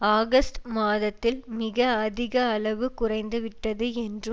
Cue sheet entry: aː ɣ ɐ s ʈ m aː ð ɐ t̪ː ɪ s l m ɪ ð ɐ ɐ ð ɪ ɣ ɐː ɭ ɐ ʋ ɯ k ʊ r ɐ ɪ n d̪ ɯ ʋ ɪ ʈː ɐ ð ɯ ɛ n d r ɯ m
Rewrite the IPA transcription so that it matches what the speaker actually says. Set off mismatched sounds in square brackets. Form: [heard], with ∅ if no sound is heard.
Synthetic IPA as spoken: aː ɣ ɐ s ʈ m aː ð ɐ t̪ː ɪ [∅] l m ɪ [ɣ] ɐ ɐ ð ɪ ɣ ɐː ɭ ɐ ʋ ɯ k ʊ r ɐ ɪ n d̪ ɯ ʋ ɪ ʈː ɐ ð ɯ ɛ n d r ɯ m